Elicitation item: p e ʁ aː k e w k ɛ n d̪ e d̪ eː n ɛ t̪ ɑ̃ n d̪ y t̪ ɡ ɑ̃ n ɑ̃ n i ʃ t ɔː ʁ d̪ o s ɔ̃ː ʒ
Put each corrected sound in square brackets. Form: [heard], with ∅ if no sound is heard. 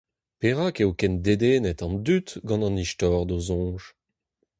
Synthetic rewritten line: p e ʁ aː k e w k ɛ n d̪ e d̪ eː n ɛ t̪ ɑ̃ n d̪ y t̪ ɡ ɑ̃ n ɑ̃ n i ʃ t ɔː ʁ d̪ o [z] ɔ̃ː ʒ